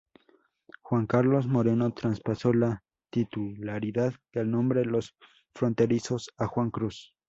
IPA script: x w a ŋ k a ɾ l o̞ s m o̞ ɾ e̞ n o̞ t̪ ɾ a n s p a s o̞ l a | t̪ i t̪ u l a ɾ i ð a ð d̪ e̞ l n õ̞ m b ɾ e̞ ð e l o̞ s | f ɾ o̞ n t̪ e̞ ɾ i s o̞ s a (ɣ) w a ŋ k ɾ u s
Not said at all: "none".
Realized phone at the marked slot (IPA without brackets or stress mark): x